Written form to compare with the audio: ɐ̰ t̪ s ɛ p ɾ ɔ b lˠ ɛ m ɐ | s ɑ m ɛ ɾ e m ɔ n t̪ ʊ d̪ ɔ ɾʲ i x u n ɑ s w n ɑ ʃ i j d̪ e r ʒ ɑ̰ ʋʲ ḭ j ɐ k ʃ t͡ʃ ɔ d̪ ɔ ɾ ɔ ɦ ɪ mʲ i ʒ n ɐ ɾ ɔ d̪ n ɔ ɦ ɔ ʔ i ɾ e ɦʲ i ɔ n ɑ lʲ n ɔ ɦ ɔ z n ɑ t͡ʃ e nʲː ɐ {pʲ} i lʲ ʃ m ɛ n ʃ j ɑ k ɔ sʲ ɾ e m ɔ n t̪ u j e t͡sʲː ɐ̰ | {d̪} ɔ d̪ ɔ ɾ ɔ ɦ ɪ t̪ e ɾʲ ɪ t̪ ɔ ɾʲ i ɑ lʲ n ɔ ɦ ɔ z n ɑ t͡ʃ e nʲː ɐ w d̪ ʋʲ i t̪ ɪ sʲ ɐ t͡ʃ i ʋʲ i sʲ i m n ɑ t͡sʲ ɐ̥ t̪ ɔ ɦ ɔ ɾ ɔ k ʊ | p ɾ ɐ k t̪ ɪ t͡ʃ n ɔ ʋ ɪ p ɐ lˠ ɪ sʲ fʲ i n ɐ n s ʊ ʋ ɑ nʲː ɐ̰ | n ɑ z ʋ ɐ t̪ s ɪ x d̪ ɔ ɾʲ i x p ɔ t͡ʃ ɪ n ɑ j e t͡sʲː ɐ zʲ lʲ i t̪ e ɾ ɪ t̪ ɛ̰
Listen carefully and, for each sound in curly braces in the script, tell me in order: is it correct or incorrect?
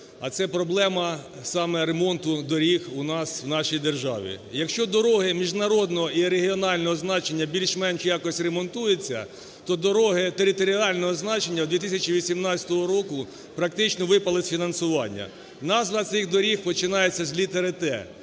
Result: incorrect: bʲ, incorrect: t̪

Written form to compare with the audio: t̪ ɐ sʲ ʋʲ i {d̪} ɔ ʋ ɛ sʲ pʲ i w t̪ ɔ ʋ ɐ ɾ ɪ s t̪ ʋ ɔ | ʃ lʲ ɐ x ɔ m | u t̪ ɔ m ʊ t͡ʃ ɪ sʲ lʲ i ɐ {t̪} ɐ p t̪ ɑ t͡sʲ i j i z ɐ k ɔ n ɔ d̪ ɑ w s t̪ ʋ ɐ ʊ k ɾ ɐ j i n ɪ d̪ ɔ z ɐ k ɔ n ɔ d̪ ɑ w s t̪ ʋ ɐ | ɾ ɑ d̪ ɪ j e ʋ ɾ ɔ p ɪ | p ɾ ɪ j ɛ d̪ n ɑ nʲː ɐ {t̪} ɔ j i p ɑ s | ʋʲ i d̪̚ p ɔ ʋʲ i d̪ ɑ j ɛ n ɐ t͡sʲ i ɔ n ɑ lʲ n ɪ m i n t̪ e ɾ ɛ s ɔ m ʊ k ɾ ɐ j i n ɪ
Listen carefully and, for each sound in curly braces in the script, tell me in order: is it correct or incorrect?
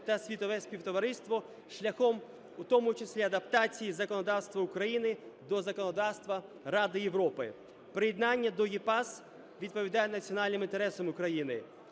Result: incorrect: t̪, incorrect: d̪, incorrect: d̪

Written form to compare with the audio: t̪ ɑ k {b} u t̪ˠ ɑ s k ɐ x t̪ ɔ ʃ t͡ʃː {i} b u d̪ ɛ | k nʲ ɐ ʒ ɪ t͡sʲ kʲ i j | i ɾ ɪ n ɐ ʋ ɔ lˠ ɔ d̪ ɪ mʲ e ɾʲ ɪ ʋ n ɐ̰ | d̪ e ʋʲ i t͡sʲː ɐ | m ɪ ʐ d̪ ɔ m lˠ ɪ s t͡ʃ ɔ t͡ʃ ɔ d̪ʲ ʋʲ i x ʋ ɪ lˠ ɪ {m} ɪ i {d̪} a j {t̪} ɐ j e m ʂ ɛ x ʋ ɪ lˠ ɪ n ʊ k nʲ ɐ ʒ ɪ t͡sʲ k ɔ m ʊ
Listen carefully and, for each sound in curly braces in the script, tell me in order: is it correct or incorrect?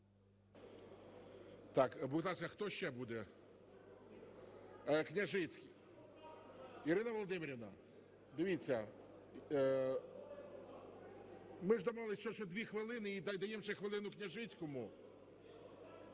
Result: correct, incorrect: ɛ, incorrect: n, correct, incorrect: d̪

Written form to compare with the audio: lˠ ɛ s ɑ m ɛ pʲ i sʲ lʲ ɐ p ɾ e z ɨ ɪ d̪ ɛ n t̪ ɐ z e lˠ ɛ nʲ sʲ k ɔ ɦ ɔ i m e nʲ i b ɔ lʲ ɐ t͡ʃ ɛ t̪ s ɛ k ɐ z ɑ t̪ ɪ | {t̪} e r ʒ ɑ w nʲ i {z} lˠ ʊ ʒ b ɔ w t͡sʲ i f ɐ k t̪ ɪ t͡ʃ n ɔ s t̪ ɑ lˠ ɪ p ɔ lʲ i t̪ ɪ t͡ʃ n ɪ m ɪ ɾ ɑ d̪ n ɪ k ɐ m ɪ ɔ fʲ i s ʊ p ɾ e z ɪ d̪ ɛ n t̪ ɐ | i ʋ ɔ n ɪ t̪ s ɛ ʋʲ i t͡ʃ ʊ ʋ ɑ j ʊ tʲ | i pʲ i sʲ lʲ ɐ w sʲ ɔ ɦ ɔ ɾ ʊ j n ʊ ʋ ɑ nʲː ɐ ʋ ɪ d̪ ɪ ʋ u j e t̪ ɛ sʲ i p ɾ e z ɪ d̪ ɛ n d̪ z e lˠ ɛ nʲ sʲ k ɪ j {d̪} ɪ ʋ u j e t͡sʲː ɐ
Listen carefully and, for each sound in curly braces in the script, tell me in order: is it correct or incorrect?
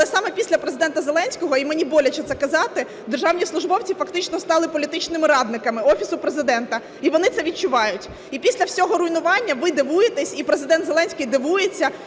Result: incorrect: d̪, incorrect: s, correct

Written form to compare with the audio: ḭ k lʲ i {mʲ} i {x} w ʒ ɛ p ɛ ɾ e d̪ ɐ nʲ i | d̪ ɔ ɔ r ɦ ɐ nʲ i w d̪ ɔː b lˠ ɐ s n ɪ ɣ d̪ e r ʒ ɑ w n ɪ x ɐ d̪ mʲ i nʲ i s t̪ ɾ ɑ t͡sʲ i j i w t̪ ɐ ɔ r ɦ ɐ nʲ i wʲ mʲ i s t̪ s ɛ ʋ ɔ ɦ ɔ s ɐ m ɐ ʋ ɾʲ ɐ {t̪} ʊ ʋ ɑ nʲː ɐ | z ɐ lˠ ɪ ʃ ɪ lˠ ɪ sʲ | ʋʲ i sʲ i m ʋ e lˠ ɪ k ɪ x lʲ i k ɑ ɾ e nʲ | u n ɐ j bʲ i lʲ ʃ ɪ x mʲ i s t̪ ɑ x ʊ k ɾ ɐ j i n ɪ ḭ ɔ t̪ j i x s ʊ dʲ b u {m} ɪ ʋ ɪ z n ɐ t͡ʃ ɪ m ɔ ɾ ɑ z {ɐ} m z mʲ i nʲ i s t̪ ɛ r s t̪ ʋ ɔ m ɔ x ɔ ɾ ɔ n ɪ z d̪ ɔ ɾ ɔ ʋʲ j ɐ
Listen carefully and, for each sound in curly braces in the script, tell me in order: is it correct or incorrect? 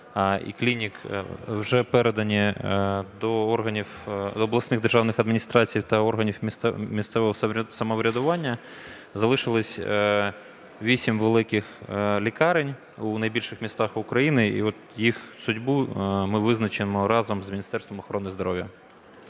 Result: incorrect: nʲ, incorrect: k, incorrect: d̪, correct, correct

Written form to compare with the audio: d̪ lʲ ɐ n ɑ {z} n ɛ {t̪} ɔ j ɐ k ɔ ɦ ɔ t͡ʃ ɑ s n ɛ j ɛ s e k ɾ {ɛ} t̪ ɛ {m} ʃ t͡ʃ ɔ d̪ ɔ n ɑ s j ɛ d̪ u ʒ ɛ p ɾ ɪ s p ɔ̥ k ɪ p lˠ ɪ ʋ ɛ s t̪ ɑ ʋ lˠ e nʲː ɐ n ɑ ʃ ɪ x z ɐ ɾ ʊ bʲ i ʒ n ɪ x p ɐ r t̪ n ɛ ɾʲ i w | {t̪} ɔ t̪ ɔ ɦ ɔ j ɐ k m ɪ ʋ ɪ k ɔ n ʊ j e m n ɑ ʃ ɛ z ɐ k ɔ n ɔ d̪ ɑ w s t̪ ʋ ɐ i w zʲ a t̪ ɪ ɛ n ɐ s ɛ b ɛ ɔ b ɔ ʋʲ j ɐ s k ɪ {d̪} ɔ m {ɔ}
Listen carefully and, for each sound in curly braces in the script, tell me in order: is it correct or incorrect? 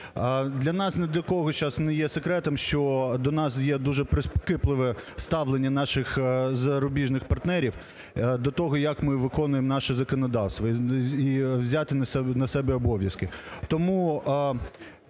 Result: incorrect: s, incorrect: d̪, correct, correct, incorrect: d̪, incorrect: t̪, incorrect: u

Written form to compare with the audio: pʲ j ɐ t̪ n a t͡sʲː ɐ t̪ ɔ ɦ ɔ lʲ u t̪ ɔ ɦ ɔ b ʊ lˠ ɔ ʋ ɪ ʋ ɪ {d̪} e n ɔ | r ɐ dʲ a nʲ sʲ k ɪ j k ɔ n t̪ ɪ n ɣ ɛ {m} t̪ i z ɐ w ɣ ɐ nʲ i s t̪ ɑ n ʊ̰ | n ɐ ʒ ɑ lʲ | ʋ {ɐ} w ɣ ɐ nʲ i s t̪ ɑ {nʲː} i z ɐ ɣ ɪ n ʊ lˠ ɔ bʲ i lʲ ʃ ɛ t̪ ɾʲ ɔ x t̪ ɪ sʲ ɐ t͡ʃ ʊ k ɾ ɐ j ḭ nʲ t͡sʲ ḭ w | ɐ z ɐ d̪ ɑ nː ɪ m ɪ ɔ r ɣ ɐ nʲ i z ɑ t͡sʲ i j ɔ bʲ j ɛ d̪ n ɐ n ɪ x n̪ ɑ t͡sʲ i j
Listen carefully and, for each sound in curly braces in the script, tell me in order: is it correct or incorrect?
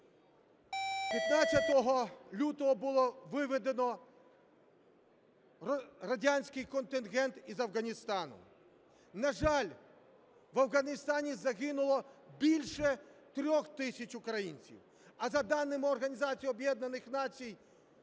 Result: correct, incorrect: n, correct, incorrect: nʲ

